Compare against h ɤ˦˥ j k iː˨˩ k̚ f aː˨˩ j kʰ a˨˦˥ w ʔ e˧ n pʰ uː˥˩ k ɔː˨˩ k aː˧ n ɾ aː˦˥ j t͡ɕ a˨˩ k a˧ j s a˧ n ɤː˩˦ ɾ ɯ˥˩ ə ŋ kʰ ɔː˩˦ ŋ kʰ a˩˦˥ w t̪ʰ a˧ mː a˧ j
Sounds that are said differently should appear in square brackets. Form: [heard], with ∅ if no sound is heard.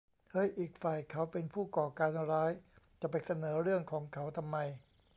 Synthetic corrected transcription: h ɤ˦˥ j [ʔ] iː˨˩ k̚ f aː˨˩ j kʰ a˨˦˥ w [p] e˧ n pʰ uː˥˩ k ɔː˨˩ k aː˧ n ɾ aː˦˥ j t͡ɕ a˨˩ [p] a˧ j s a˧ n ɤː˩˦ ɾ ɯ˥˩ ə ŋ kʰ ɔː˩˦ ŋ kʰ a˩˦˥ w t̪ʰ a˧ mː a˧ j